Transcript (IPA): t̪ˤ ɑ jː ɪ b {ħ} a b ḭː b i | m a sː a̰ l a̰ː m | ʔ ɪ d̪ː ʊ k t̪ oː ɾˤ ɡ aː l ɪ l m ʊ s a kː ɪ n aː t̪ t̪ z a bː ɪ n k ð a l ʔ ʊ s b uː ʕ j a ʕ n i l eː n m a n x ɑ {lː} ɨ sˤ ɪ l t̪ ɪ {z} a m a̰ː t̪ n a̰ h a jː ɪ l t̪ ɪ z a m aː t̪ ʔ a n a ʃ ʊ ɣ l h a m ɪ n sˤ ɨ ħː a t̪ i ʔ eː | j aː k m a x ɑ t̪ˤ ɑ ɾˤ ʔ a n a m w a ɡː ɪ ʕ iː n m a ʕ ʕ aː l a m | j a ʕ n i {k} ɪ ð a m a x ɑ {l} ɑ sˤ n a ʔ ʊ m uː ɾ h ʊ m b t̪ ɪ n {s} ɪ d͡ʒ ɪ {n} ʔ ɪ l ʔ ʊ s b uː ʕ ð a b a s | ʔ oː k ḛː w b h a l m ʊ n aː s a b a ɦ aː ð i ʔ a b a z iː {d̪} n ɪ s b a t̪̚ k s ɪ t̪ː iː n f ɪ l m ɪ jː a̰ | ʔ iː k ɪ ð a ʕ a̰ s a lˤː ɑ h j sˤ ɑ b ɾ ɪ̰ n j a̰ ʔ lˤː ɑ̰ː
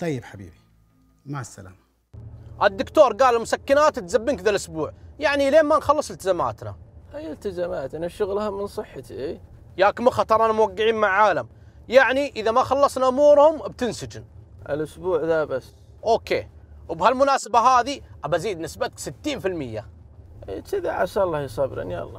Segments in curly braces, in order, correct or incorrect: correct, correct, correct, incorrect: ʔ, incorrect: lː, correct, correct, correct

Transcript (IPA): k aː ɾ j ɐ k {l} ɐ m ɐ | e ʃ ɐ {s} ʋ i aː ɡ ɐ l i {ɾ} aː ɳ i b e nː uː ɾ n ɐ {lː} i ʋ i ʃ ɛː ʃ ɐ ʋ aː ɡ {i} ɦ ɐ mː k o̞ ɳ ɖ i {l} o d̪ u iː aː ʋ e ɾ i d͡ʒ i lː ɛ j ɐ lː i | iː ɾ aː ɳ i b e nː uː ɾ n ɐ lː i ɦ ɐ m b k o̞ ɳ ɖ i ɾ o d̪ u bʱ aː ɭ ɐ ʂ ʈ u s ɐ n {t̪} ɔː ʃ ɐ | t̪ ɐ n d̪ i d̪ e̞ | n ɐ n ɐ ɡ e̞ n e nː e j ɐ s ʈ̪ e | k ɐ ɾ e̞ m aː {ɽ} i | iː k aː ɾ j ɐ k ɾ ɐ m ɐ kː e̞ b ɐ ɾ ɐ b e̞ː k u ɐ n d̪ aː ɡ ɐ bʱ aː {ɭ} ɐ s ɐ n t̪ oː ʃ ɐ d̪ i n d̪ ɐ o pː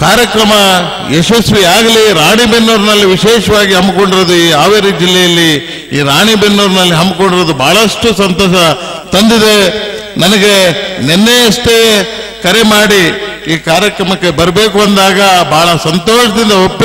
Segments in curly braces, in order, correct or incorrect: incorrect: ɾ, correct, correct, correct, correct, incorrect: ɾ, correct, correct, correct

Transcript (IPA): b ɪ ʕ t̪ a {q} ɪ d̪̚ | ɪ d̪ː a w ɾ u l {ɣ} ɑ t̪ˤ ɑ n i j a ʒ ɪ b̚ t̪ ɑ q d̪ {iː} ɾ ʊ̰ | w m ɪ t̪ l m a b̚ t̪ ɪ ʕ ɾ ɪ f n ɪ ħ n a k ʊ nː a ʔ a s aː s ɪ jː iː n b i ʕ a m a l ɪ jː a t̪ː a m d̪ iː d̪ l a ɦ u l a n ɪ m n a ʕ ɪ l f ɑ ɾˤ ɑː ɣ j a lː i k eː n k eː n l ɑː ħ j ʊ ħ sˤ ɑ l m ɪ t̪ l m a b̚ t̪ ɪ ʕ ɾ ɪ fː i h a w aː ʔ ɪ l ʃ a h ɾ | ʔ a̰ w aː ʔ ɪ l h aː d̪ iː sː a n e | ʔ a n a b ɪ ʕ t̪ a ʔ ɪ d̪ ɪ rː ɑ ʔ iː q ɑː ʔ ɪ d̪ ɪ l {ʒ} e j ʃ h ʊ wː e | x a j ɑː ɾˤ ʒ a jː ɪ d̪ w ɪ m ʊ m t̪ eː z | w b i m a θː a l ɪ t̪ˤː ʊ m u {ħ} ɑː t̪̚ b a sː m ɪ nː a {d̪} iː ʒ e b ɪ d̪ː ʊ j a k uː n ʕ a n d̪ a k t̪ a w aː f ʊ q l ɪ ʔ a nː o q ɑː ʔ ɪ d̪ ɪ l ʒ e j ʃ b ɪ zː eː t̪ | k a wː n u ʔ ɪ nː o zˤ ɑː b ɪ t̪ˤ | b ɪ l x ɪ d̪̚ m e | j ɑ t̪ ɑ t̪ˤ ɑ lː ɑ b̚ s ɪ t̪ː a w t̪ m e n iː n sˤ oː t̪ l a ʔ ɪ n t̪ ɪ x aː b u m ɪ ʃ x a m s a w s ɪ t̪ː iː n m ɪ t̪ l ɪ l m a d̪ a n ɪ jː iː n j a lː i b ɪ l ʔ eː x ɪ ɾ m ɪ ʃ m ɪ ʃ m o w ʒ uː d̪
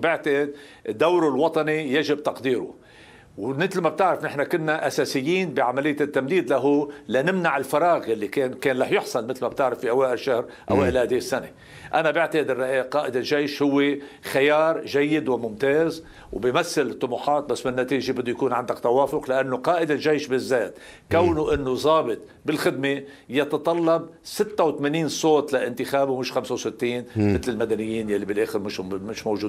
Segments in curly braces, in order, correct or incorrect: incorrect: ʔ, incorrect: w, correct, correct, correct, incorrect: t̪

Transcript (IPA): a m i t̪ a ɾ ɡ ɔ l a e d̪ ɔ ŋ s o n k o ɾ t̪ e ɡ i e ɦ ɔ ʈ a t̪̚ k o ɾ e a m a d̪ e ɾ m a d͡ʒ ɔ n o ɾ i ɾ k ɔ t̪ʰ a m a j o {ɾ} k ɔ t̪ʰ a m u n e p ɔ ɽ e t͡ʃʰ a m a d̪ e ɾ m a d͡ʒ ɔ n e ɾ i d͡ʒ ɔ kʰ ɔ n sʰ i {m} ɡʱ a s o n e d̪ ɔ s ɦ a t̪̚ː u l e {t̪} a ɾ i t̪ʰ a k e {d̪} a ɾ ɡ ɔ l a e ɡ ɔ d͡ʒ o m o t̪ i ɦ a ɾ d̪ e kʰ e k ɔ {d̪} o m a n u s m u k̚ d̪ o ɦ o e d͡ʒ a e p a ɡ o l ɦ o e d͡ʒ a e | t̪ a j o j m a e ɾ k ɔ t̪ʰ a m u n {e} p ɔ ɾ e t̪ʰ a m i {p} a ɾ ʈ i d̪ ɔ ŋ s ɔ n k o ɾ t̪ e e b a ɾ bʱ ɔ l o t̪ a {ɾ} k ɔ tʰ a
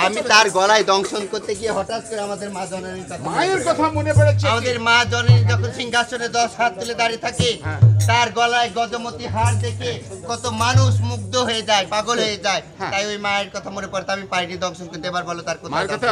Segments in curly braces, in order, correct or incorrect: correct, incorrect: ŋ, incorrect: d̪, incorrect: t̪, incorrect: t̪, correct, correct, correct

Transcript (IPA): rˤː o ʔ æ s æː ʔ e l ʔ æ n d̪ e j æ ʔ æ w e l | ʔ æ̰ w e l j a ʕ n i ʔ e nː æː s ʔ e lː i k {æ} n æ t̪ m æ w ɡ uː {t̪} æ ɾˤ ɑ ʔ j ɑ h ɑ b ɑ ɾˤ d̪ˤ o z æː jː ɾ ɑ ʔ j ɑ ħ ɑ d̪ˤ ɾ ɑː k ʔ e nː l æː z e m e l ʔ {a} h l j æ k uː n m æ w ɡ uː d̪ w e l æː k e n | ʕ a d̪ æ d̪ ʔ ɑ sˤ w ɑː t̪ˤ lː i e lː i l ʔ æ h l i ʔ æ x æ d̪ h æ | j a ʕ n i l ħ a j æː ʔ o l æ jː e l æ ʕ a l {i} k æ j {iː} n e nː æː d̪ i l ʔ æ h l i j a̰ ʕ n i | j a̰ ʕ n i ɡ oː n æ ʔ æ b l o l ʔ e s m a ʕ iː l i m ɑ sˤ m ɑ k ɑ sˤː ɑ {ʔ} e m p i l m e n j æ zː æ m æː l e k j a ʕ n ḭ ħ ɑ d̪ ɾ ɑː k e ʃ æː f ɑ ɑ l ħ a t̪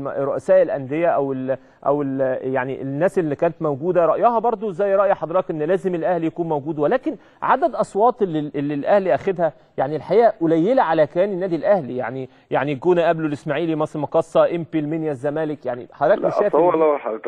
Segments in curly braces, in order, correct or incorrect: incorrect: æː, incorrect: d̪, incorrect: æ, incorrect: æ, incorrect: æː, correct

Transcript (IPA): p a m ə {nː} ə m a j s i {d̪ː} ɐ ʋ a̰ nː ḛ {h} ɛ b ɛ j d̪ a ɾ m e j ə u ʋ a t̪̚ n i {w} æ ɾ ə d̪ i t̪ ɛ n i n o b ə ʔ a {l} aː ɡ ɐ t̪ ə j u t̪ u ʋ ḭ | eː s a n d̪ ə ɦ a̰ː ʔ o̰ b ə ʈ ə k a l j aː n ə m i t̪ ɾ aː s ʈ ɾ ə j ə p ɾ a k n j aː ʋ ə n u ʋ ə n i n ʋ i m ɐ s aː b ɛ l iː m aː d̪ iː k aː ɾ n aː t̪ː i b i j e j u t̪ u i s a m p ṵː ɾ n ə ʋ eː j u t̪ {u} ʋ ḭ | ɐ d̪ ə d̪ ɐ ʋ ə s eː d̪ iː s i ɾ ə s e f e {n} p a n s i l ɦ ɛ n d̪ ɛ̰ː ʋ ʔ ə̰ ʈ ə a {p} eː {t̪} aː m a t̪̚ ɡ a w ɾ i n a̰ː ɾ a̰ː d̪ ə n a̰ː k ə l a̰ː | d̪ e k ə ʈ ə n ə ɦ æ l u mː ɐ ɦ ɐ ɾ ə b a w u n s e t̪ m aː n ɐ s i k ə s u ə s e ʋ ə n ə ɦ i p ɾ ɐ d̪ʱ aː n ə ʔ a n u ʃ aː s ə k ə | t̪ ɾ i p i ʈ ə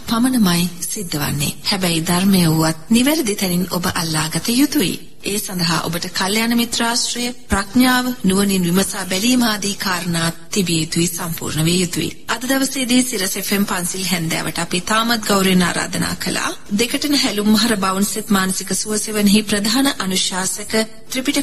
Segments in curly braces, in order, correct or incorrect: incorrect: n, correct, correct, incorrect: ʋ, incorrect: lː, correct, incorrect: m, correct, correct

